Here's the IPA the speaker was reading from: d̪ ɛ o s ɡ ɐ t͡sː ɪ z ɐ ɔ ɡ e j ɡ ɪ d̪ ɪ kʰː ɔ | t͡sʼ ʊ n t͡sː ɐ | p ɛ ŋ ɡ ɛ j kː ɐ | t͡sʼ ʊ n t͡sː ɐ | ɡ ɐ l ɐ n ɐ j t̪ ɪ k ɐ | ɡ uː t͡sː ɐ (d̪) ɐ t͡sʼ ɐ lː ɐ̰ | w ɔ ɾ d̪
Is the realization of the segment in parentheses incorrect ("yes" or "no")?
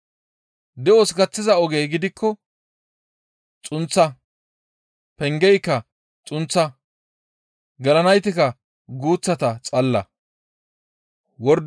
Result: yes